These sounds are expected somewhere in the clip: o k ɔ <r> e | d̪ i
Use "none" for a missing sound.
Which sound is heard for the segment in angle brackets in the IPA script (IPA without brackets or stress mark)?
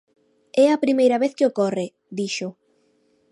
r